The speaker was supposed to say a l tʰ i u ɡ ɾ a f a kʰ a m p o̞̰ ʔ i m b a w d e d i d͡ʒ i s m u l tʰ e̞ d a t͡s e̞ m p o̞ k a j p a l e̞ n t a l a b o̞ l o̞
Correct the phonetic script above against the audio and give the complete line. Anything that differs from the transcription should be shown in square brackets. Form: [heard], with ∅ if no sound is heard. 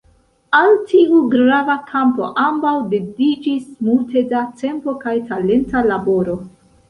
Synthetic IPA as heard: a l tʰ i u ɡ ɾ a [v] a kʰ a m p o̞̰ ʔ [a] m b a w d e d i d͡ʒ i s m u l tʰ e̞ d a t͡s e̞ m p o̞ k a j [t] a l e̞ n t a l a b o̞ [ɾ] o̞